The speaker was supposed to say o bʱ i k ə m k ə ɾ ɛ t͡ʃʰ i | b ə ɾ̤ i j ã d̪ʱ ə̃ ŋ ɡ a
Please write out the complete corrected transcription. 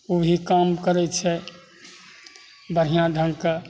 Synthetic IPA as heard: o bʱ i k a m k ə ɾ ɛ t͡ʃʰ ɛ | b ə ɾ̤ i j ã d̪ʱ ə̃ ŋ k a